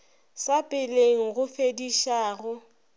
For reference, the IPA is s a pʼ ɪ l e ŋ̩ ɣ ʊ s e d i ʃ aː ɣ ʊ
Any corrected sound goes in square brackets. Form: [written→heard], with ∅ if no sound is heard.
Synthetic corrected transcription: s a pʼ ɪ l e ŋ̩ ɣ ʊ [s→f] e d i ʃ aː ɣ ʊ